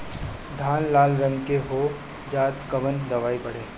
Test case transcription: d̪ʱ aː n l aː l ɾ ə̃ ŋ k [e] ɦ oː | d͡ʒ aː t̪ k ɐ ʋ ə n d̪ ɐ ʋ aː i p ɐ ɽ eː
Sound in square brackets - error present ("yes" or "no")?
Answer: no